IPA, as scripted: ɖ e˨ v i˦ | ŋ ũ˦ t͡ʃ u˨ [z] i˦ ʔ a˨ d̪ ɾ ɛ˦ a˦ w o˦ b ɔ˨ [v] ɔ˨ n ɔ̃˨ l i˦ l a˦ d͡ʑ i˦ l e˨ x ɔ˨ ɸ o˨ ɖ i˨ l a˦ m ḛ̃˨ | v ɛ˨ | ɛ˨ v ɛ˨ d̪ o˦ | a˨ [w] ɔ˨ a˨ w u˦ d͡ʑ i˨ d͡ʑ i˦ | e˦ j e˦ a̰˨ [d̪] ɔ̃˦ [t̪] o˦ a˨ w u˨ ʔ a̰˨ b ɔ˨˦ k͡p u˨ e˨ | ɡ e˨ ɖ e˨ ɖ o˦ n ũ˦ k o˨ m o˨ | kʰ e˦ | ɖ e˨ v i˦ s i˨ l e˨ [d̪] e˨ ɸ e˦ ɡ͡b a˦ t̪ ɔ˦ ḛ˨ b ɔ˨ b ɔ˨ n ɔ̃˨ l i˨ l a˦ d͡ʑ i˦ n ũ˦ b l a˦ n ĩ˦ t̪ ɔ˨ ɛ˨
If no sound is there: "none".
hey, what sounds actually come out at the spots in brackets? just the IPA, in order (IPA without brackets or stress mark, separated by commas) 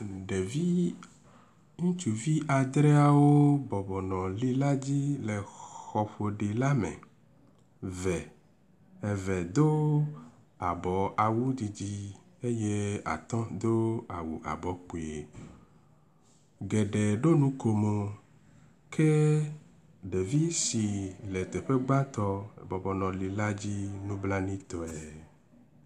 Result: v, b, b, t̪, d̪, t̪